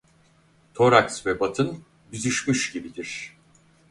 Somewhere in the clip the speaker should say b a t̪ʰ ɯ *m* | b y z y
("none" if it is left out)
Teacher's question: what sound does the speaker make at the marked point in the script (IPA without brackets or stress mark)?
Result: n